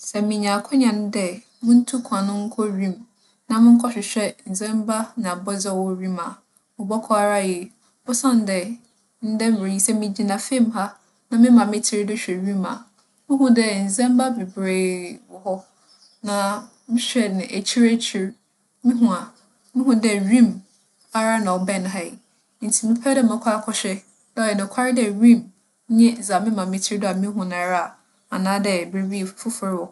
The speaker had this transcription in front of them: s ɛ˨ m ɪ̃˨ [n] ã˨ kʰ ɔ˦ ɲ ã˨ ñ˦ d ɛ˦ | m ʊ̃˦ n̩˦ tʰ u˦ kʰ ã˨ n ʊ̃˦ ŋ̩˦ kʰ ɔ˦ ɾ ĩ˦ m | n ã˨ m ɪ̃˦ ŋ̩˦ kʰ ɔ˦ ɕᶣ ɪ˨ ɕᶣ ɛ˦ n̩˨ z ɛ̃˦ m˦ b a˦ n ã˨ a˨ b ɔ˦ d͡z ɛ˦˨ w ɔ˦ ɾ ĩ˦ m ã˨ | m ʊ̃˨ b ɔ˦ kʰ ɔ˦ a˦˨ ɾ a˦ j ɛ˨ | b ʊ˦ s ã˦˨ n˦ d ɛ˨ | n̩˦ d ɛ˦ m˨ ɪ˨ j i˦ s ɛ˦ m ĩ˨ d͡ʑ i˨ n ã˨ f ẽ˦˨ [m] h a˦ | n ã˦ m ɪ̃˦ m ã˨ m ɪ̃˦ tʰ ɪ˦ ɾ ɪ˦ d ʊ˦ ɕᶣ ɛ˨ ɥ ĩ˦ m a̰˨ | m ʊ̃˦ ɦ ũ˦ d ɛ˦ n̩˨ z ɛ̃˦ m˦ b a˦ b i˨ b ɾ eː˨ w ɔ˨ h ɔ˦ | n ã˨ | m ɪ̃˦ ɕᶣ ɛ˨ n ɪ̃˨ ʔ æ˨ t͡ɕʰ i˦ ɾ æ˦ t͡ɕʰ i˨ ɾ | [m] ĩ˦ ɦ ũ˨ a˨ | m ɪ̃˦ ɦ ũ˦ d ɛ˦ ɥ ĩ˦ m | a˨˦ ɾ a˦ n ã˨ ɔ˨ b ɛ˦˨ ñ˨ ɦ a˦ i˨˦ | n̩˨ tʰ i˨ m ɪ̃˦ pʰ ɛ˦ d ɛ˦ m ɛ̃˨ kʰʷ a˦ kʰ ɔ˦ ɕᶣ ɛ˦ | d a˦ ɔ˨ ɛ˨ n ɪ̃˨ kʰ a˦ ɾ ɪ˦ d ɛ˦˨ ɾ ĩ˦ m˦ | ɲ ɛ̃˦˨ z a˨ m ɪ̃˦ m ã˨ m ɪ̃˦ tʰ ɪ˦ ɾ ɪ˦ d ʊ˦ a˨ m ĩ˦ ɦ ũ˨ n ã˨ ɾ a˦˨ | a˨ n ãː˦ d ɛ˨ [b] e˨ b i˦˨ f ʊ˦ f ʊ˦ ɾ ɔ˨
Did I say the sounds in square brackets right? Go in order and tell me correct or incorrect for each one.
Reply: incorrect: ɲ, correct, correct, correct

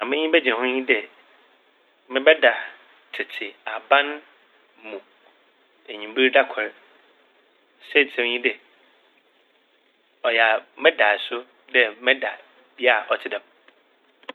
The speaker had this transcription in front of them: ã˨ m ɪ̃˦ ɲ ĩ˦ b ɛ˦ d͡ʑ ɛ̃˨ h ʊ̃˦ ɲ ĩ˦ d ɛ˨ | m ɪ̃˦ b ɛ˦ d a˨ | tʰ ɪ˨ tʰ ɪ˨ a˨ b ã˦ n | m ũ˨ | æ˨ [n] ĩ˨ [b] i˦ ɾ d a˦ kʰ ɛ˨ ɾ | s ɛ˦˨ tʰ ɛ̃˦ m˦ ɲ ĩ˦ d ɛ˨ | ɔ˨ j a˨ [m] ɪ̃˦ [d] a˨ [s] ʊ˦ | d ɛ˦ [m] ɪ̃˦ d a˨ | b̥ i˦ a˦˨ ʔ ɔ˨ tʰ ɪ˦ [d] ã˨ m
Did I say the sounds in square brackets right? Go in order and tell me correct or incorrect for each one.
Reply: incorrect: ɲ, correct, correct, correct, correct, correct, correct

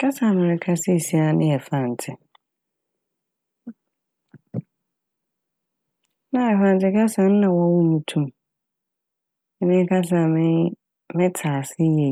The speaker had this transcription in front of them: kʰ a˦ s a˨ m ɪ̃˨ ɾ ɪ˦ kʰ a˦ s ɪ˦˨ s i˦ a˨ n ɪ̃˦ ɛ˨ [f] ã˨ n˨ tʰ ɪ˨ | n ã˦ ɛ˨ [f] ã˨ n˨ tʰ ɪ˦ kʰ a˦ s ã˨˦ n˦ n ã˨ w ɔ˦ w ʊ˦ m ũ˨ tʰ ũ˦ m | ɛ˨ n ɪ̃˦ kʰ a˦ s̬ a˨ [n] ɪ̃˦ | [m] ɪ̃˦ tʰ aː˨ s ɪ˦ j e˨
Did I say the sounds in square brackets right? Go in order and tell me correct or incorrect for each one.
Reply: correct, correct, incorrect: m, correct

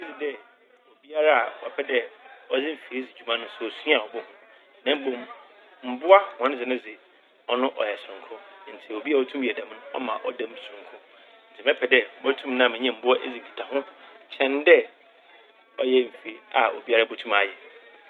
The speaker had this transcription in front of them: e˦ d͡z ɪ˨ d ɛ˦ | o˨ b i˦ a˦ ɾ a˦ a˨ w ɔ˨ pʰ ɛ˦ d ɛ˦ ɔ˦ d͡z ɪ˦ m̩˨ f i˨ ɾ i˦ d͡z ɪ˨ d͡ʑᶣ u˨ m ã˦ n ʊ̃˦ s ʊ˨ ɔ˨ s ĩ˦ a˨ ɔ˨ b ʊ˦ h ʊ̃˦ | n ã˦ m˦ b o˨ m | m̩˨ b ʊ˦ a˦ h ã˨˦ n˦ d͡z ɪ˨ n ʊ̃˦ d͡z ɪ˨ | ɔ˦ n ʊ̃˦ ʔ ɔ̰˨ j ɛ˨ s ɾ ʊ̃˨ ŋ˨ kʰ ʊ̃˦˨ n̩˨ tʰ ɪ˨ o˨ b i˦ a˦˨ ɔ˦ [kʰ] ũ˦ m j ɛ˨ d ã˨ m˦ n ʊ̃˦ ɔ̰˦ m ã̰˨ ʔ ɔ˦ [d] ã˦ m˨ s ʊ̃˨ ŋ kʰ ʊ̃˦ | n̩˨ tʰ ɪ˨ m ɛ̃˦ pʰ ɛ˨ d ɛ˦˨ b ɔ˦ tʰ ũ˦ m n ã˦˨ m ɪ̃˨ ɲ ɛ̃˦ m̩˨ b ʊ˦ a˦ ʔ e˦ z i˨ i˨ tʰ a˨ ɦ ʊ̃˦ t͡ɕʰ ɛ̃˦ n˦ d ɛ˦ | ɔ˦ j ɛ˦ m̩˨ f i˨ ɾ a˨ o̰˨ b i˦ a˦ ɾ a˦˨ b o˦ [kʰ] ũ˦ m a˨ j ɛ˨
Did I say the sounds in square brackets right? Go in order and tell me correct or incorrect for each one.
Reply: incorrect: tʰ, correct, incorrect: tʰ

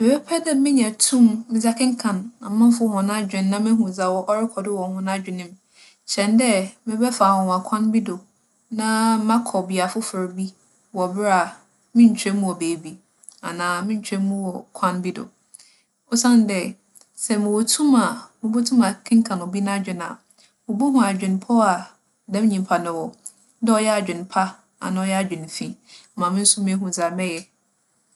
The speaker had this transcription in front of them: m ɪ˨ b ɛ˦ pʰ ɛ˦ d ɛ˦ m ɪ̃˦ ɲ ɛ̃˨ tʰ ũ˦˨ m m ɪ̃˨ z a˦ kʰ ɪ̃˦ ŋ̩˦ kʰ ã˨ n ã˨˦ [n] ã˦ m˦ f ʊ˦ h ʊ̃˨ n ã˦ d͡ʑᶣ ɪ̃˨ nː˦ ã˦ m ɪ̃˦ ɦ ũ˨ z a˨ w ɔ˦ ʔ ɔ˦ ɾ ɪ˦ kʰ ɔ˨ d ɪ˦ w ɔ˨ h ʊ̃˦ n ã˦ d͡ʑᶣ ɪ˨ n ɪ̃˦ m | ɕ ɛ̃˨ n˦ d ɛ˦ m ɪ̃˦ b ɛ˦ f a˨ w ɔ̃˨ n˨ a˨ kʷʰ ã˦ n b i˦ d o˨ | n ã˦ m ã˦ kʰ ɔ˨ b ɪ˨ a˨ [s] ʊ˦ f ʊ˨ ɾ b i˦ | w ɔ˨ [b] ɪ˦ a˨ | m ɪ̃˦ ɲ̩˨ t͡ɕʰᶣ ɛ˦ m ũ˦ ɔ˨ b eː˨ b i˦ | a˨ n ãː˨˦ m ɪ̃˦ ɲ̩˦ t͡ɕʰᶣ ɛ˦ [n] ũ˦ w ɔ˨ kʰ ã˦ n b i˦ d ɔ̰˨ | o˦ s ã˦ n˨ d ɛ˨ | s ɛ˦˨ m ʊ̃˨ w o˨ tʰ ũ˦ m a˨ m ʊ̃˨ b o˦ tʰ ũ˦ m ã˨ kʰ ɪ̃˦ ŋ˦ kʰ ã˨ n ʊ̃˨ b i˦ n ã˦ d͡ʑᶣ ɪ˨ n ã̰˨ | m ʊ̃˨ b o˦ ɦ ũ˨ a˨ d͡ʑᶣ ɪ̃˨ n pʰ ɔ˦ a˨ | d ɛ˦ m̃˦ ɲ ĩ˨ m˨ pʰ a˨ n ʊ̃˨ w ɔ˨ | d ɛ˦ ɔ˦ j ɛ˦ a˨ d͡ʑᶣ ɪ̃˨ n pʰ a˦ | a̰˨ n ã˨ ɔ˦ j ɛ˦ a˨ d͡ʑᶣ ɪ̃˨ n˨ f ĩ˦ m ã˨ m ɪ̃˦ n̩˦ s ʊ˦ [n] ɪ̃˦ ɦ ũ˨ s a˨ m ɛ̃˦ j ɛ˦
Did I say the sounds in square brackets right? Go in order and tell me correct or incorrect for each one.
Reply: incorrect: m, incorrect: f, correct, incorrect: m, incorrect: m

